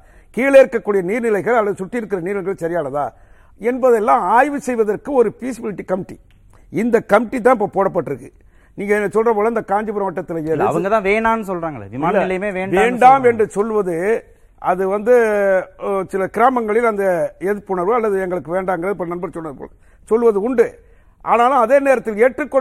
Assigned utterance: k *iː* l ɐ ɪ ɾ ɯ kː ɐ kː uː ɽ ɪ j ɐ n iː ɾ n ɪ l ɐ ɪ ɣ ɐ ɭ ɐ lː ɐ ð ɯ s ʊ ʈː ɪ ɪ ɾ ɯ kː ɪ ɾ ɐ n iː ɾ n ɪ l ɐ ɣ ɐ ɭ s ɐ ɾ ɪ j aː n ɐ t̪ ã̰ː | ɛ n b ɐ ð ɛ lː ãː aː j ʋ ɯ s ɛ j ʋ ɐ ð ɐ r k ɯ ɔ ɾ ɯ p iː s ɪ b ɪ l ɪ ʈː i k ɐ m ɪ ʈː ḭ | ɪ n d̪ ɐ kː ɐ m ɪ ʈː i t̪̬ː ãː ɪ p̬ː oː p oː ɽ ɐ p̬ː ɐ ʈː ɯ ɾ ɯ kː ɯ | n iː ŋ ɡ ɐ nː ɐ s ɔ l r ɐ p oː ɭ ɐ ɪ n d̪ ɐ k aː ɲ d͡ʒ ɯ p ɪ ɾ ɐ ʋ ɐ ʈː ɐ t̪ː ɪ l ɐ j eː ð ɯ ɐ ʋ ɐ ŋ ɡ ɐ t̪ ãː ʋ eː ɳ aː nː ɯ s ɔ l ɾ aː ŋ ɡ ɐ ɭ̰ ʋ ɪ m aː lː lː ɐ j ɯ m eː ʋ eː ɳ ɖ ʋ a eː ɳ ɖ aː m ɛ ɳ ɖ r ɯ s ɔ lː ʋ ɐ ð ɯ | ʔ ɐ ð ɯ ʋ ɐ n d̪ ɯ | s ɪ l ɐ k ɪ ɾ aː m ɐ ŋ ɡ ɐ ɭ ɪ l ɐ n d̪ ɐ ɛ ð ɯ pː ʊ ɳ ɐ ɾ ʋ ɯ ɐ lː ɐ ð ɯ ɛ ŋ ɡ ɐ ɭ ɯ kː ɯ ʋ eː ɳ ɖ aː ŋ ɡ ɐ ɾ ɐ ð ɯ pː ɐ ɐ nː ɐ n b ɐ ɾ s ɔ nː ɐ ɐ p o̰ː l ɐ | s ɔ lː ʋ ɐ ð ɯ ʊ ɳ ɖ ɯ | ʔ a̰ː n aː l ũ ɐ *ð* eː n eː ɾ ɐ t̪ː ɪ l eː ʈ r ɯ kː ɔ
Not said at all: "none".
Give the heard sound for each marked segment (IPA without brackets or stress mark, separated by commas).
iː, ð